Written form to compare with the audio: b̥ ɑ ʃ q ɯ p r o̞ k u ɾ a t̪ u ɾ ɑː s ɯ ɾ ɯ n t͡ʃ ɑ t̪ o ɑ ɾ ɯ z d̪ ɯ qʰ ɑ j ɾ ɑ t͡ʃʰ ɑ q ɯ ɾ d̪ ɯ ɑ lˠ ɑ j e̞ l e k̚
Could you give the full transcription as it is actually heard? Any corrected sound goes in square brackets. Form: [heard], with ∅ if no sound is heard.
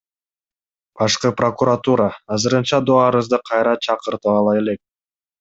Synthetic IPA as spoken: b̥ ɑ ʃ q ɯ p r o̞ k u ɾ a t̪ u ɾ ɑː [z] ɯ ɾ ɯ n t͡ʃ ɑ [d̪] o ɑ ɾ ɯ z d̪ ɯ qʰ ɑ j ɾ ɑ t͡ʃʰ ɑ q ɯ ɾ [t̪] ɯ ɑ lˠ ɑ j e̞ l e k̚